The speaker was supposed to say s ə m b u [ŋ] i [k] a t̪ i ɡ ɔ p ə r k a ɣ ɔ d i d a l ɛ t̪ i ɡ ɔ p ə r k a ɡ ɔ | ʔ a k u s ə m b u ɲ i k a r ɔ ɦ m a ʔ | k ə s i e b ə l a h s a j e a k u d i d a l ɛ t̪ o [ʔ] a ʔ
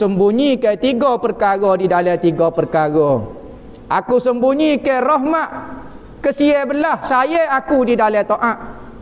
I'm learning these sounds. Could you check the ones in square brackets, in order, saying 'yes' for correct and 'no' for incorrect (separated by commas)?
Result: no, yes, yes